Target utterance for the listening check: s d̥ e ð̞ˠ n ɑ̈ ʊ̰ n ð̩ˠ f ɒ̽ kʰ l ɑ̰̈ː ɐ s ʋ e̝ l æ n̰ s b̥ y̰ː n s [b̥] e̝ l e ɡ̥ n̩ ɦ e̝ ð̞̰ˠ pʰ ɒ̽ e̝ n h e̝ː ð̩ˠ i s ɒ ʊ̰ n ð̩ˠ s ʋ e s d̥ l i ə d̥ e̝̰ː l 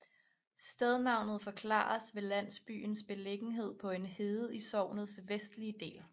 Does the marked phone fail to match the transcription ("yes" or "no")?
no